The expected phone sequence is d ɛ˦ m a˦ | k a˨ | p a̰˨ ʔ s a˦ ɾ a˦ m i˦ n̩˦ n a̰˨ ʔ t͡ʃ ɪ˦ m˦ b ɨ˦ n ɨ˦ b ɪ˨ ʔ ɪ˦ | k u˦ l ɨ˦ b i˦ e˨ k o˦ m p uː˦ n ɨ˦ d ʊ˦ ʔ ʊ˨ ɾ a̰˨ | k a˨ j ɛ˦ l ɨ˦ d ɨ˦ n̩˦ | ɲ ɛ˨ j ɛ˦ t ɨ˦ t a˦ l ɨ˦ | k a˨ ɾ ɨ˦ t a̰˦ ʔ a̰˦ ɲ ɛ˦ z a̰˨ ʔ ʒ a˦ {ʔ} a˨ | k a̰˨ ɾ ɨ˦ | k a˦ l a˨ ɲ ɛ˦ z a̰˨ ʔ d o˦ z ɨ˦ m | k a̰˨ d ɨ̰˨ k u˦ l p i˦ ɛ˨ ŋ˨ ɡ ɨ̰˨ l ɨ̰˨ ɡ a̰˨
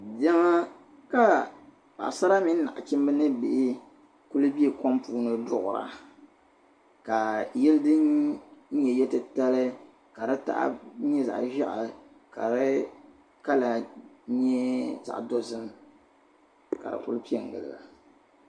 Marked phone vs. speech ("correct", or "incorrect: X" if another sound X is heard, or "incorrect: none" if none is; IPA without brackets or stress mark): correct